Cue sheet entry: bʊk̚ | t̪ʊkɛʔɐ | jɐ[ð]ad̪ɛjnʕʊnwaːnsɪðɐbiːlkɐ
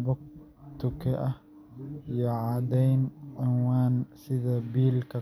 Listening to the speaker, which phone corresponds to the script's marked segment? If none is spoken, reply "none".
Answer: ʕ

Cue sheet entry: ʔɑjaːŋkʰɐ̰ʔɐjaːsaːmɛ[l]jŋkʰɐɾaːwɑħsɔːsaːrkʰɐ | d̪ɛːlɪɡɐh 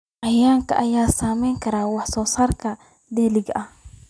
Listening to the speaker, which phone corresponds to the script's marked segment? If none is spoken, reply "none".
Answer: none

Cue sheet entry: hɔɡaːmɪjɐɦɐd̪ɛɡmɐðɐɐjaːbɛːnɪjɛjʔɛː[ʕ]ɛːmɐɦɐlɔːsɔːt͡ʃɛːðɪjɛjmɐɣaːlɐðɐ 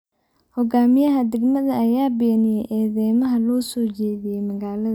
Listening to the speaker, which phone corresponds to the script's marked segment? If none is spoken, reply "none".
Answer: ð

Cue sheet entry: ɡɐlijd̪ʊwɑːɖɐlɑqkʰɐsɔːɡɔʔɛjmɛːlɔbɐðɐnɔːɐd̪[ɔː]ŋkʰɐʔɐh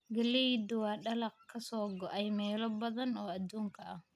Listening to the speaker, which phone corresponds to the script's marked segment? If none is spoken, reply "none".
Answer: uː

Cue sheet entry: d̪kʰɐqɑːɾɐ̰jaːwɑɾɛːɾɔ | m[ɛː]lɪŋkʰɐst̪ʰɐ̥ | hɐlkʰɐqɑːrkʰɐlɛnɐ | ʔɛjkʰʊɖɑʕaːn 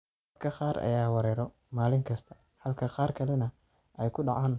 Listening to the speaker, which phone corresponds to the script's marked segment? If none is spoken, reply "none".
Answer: aː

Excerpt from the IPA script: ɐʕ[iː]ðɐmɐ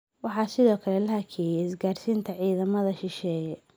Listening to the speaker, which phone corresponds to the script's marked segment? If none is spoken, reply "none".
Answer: iː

